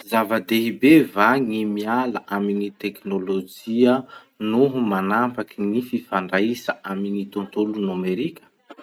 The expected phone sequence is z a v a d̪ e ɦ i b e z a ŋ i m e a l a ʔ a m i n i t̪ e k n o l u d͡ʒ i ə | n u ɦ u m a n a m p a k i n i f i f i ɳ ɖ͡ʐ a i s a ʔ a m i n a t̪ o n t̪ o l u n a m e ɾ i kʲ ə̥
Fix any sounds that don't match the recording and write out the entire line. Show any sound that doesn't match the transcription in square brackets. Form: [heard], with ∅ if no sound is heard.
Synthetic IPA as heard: z a v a d̪ e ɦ i b e [v] a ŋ i m [i] a l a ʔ a m i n i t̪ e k n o l [o] d͡ʒ i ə | n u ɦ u m a n a m p a k i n i f i f [a] ɳ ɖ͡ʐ a i s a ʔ a m i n [i] t̪ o n t̪ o l u n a m e ɾ i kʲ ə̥

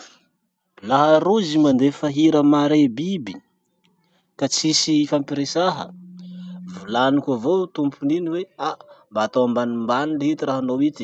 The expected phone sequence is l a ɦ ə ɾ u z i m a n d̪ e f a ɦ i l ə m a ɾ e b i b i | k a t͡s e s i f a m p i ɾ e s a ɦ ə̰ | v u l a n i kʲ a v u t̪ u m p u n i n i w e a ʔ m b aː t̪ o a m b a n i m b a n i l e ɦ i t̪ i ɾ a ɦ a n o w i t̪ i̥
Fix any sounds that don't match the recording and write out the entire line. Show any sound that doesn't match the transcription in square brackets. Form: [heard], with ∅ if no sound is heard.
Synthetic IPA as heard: l a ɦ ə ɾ u z i m a n d̪ e f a ɦ i [ɾ] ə m a ɾ e b i b i | k a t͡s [i] s i f a m p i ɾ e s a ɦ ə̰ | v u l a n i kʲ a v [o] t̪ u m p u n i n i w e a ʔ m b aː t̪ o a m b a n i m b a n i l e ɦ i t̪ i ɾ a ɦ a n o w i t̪ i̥

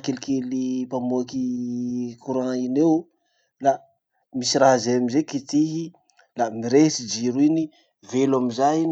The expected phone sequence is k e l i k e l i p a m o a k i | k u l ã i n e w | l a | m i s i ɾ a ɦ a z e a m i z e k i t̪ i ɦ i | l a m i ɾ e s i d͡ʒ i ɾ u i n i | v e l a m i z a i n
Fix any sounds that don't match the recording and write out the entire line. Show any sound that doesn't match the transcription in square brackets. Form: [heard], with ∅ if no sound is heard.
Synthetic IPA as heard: k e l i k e l i p a m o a k i | k u [ɾ] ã i n e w | l a | m i s i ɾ a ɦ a z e a m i z e k i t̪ i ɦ i | l a m i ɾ e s i d͡ʒ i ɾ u i n i | v e l a m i z a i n

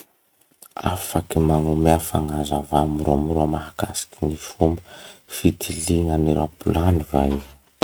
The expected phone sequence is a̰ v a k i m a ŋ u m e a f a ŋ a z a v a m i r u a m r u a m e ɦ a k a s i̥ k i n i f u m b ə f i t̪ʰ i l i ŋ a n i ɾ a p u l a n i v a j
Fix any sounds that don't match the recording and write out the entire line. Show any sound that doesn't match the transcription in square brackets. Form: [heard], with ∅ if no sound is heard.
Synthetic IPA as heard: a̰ [f] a k i m a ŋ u m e a f a ŋ a z a v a m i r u a m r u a m [a] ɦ a k a s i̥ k i n i f u m b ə f i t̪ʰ i l i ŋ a n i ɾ a p u l a n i v a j

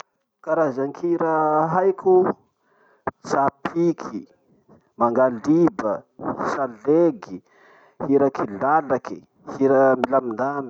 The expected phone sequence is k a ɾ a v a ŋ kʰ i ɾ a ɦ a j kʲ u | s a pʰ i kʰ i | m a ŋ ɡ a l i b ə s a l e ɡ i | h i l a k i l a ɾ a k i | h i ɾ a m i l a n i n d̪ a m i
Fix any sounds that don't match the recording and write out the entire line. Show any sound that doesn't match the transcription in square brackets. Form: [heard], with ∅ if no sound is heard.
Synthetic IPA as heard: k a ɾ a [z] a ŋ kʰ i ɾ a ɦ a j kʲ u | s a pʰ i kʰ i | m a ŋ ɡ a l i b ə s a l e ɡ i | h i [ɾ] a k i l a [l] a k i | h i ɾ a m i l a [m] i n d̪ a m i

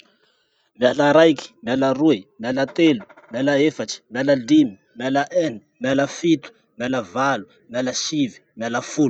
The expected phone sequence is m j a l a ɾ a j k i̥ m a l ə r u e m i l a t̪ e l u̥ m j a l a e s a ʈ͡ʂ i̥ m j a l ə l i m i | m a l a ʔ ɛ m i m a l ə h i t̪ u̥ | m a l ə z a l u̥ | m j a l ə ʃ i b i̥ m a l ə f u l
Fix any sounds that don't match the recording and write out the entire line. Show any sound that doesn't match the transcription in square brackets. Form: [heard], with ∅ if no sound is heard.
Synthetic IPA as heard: m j a l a ɾ a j k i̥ m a l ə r u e m [a] l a t̪ e l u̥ m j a l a e [f] a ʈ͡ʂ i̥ m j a l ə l i m i | m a l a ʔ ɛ [n] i m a l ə [f] i t̪ u̥ | m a l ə [v] a l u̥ | m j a l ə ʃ i [v] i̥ m a l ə f u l

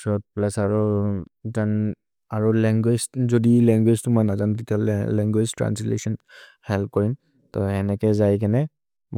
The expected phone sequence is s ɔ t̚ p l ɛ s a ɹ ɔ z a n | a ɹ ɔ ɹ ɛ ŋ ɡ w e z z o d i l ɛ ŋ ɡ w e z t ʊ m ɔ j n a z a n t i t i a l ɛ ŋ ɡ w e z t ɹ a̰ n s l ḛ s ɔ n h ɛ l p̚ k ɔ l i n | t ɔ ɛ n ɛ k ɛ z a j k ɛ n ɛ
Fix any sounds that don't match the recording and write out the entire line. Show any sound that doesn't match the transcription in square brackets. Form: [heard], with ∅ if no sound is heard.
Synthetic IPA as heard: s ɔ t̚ p l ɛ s a ɹ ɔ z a n | a ɹ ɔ [l] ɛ ŋ ɡ w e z z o d i l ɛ ŋ ɡ w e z t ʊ m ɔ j n a z a n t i t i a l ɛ ŋ ɡ w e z t ɹ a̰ n s l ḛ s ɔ n h ɛ l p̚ k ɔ [ɹ] i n | t ɔ ɛ n ɛ k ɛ z a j k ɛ n ɛ

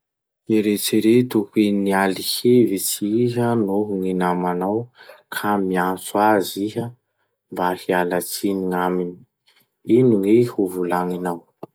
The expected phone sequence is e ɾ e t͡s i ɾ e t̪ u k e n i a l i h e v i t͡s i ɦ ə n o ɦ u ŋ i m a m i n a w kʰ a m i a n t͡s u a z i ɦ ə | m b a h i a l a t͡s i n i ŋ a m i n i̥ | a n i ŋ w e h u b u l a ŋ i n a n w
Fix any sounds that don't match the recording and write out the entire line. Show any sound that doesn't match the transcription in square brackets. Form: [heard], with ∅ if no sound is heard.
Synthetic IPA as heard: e ɾ e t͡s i ɾ e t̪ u k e n i a l i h e v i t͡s i ɦ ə n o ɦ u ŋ i [n] a m [a] n a w kʰ a m i a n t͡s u a z i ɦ ə | m b a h i a l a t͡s i n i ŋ a m i n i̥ | [i] n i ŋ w e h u [v] u l a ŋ i n a [∅] w

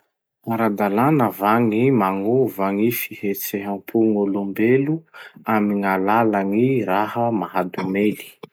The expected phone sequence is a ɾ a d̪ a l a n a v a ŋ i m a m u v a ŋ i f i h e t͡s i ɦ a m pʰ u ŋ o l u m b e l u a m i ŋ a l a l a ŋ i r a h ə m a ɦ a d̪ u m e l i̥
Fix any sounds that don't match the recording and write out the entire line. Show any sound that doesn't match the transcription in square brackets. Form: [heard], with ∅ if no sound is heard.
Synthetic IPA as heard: a ɾ a d̪ a l a n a v a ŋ i m a [ŋ] u v a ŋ i f i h e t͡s [e] ɦ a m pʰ u ŋ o l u m b e l u a m i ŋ a l a l a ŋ i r a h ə m a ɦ a d̪ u m e l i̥

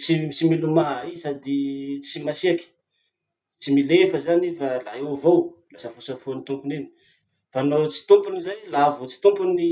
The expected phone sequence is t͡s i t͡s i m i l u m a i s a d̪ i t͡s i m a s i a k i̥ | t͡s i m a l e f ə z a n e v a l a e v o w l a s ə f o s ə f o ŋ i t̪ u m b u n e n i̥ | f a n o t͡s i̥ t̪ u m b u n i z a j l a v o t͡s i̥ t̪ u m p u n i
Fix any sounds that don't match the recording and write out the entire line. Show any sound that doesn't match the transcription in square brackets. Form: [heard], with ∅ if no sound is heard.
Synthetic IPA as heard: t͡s i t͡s i m i l u m a i s a d̪ i t͡s i m a s i a k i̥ | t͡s i m [i] l e f ə z a n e [f] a l a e v o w l a s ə f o s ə f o [n] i t̪ u m [p] u n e n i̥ | f a n o t͡s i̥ t̪ u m [p] u n i z a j l a v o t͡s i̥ t̪ u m p u n i

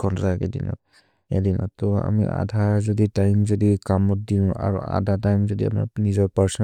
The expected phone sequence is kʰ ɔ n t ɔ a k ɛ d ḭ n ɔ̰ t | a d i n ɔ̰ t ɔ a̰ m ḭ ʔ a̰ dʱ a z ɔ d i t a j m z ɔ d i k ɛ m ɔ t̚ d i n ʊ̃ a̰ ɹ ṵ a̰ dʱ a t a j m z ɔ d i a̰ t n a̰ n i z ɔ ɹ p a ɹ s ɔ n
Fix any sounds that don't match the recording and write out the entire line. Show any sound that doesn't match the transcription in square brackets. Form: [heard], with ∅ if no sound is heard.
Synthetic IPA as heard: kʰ ɔ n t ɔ a k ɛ d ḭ n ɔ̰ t | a d i n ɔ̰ t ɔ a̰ m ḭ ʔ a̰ dʱ a z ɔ d i t a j m z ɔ d i k [a] m ɔ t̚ d i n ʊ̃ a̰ ɹ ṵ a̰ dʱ a t a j m z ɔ d i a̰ [p] n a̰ n i z ɔ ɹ p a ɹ s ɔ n

